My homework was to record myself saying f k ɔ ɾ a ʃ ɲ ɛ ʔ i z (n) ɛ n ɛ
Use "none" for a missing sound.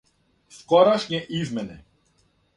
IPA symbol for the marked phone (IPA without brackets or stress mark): m